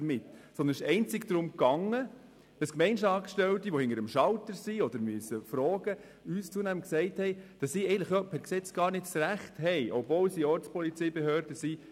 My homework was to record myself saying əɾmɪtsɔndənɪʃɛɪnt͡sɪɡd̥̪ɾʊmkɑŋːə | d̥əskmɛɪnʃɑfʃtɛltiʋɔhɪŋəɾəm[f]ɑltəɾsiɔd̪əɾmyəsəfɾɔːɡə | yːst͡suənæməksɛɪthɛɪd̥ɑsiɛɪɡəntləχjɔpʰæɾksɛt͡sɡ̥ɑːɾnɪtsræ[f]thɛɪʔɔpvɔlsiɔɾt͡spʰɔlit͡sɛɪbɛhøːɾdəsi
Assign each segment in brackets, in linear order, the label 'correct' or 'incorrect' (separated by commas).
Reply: incorrect, incorrect